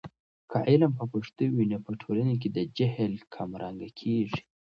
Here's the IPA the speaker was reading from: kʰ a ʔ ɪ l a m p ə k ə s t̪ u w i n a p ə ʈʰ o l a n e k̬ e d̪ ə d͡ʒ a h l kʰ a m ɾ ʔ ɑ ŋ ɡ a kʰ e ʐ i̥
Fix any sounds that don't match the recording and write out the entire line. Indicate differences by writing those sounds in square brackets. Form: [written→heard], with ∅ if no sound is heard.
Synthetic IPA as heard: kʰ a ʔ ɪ l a m p ə [k→p] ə [s→ʂ] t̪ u w i n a p ə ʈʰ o l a n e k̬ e d̪ ə d͡ʒ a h l kʰ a m ɾ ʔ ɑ ŋ ɡ a kʰ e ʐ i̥